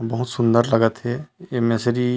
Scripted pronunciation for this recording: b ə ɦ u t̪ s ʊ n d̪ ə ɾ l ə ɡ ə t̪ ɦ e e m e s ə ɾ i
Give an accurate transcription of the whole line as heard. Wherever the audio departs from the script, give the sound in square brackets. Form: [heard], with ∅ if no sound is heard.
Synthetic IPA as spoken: b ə ɦ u t̪ s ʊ n d̪ ə ɾ l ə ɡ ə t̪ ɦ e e m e s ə ɾ i